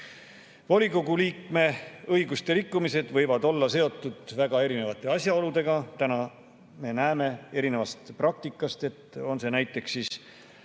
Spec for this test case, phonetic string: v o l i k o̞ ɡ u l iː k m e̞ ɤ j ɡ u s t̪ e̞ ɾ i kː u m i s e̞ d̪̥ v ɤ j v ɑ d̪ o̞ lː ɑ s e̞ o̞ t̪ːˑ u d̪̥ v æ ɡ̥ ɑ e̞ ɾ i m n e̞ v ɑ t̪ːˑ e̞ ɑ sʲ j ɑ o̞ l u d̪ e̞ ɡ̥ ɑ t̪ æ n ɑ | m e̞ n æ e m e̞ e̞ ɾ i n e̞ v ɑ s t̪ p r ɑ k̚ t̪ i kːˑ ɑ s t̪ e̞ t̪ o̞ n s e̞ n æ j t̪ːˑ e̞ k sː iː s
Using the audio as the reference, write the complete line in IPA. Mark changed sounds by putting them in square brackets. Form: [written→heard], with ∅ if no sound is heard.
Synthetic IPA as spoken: v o l i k o̞ ɡ u l iː k m e̞ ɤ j ɡ u s t̪ e̞ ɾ i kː u m i s e̞ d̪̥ v ɤ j v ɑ d̪ o̞ lː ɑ s e̞ o̞ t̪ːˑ u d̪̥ v æ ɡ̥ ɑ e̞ ɾ i [m→∅] n e̞ v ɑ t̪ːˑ e̞ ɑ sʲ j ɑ o̞ l u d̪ e̞ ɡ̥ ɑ t̪ æ n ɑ | m e̞ n æ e m e̞ e̞ ɾ i n e̞ v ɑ s t̪ p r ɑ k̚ t̪ i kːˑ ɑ s t̪ e̞ t̪ o̞ n s e̞ n æ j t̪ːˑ e̞ k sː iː s